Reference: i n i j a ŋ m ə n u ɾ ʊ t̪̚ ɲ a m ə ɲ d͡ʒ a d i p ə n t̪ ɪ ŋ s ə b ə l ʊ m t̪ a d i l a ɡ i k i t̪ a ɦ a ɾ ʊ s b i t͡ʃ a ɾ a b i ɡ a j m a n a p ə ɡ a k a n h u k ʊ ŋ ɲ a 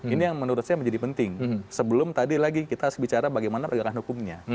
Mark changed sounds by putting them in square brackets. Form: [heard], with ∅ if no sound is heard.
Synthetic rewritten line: i n i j a ŋ m ə n u ɾ ʊ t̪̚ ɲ a m ə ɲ d͡ʒ a d i p ə n t̪ ɪ ŋ s ə b ə l ʊ m t̪ a d i l a ɡ i k i t̪ a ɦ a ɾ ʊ s b i t͡ʃ a ɾ a b [a] ɡ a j m a n a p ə ɡ a k a n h u k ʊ [m] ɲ a